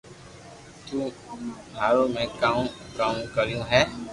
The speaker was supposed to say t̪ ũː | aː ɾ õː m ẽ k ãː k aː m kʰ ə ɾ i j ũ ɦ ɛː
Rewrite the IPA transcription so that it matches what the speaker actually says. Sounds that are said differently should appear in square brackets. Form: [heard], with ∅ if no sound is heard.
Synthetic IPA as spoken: t̪ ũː | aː ɾ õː m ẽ k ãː k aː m [k] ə ɾ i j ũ ɦ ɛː